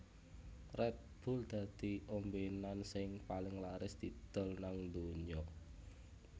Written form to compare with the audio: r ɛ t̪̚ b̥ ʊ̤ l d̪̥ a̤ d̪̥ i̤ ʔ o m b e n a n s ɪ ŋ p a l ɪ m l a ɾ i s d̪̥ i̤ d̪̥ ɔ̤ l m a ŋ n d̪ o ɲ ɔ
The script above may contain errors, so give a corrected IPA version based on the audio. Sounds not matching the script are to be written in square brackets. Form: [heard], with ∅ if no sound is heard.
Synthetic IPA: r ɛ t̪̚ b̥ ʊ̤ l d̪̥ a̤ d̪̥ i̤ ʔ o m b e n a n s ɪ ŋ p a l ɪ [ŋ] l a ɾ [ɪ] s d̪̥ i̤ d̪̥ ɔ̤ l [n] a ŋ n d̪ o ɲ ɔ